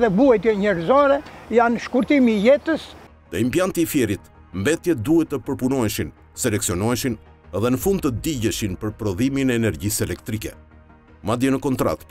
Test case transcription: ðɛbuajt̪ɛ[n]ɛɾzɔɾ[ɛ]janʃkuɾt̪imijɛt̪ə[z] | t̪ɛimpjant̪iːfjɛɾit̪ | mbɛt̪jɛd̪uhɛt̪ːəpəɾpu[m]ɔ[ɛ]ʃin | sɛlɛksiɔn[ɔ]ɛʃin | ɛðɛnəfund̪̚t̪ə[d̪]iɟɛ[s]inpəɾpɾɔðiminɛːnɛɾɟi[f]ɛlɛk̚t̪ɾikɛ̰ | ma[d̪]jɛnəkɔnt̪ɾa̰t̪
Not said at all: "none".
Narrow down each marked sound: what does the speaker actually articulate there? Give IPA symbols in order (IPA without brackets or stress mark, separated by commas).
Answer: ɲ, ɛ, s, n, ɛ, ɔ, d̪, ʃ, s, d̪